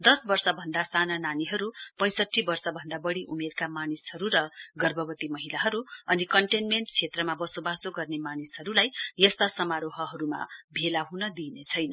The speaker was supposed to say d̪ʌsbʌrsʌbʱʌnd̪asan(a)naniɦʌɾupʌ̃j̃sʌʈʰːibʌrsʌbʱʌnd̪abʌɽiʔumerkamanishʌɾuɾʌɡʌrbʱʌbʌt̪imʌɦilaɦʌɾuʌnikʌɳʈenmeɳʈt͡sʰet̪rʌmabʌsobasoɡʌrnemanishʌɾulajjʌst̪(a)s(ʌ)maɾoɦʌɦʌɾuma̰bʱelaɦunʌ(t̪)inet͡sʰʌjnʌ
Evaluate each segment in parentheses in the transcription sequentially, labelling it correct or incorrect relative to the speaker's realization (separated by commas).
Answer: correct, correct, correct, incorrect